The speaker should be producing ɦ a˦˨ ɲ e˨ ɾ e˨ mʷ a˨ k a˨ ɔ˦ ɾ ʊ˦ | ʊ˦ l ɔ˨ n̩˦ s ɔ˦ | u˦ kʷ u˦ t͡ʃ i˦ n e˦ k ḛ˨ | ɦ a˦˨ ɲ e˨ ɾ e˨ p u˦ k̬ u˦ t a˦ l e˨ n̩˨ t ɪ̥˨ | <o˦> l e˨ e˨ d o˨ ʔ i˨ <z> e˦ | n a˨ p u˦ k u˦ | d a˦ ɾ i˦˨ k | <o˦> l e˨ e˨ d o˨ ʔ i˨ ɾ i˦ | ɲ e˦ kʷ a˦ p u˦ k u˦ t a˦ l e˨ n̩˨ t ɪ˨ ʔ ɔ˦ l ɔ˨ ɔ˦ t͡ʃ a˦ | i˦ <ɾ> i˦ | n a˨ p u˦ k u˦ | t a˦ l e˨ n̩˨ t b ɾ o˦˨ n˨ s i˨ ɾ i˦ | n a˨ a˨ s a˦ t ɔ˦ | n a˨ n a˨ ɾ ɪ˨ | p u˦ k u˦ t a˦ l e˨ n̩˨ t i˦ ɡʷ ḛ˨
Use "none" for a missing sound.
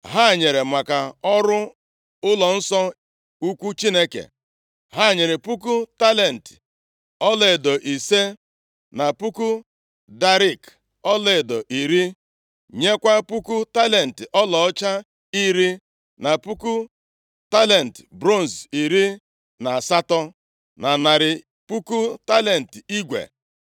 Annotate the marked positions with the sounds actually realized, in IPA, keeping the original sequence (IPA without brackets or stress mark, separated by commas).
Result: ɔ˦, s, ɔ˦, ɾ